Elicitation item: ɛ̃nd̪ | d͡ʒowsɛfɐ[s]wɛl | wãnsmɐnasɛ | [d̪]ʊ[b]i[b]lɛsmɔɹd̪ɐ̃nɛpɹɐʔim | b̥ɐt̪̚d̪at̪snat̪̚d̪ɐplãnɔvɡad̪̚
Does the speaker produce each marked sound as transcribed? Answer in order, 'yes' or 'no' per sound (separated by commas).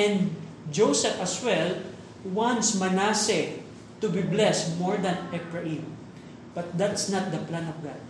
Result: yes, no, yes, yes